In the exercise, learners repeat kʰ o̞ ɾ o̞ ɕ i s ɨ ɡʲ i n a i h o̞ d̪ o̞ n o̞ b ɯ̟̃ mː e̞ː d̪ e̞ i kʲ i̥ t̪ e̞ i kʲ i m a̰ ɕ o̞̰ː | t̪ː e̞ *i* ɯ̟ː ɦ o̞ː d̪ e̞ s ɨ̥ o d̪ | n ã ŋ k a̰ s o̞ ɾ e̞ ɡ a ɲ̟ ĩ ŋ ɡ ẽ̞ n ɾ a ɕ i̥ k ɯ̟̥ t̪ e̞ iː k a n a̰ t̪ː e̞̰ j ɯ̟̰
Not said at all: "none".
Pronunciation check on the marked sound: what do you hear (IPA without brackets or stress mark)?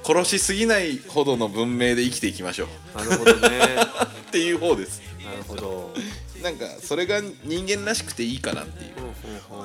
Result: j